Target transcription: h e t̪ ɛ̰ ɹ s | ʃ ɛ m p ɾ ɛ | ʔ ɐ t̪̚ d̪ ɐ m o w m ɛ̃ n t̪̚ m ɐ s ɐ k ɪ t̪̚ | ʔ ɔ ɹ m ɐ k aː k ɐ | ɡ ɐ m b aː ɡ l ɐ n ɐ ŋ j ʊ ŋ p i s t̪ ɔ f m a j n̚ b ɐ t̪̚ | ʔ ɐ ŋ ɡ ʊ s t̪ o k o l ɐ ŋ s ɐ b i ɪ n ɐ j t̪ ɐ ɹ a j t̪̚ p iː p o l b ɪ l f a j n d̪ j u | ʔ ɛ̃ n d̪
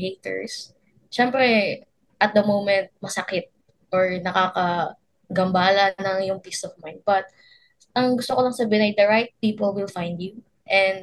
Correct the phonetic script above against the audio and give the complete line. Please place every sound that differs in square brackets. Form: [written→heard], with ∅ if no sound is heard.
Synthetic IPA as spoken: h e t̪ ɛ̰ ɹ s | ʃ ɛ m p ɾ ɛ | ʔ ɐ t̪̚ d̪ ɐ m o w m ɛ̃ n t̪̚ m ɐ s ɐ k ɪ t̪̚ | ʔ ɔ ɹ [m→n] ɐ k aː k ɐ | ɡ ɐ m b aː [ɡ→∅] l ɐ n ɐ ŋ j ʊ ŋ p i s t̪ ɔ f m a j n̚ b ɐ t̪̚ | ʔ ɐ ŋ ɡ ʊ s t̪ o k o l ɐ ŋ s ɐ b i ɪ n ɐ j [t̪→d̪] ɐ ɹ a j t̪̚ p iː p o l [b→w] ɪ l f a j n d̪ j u | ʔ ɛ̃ n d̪